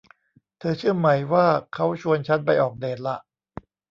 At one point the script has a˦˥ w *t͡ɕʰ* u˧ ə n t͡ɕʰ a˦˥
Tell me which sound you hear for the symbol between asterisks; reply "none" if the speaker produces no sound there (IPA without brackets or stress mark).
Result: t͡ɕʰ